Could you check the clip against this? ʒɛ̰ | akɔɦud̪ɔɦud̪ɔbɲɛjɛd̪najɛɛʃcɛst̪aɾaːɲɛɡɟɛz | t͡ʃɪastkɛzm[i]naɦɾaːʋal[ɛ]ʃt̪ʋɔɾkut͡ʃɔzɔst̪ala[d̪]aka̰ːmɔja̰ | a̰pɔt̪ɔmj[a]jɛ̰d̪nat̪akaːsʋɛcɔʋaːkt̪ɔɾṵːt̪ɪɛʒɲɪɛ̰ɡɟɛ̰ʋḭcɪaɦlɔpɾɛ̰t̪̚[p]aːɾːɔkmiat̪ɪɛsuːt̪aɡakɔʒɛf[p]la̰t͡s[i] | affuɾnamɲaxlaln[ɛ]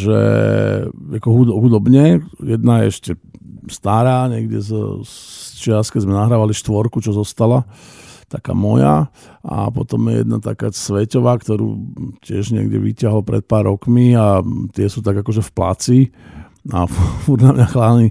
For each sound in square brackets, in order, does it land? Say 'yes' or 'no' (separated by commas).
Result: no, no, no, no, yes, yes, yes, no